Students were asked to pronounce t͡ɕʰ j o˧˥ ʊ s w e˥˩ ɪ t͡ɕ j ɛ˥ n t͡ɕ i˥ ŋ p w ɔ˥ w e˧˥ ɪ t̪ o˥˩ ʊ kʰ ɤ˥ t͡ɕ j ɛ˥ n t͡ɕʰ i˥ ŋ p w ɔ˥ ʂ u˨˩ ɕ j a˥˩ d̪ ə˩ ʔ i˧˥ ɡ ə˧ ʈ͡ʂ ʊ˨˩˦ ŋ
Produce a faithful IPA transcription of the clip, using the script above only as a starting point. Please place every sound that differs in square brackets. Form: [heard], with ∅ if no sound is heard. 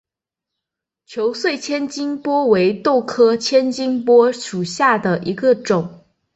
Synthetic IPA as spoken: t͡ɕʰ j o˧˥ ʊ s w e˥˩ ɪ [t͡ɕʰ] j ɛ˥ n t͡ɕ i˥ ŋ p w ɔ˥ w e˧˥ ɪ t̪ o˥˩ ʊ kʰ ɤ˥ [t͡ɕʰ] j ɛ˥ n [t͡ɕ] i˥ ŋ p w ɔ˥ ʂ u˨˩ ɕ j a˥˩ d̪ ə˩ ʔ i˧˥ ɡ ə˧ ʈ͡ʂ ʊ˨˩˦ ŋ